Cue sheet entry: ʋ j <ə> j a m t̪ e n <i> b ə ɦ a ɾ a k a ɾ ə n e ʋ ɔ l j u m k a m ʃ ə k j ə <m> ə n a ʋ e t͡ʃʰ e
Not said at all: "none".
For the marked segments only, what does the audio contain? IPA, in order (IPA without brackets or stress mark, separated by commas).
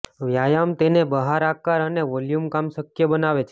a, e, b